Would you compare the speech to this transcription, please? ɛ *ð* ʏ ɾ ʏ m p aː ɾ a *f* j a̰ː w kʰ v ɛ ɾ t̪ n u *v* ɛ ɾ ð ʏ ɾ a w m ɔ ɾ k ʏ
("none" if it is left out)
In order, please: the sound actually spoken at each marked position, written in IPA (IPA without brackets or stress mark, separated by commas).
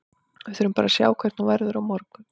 θ, s, v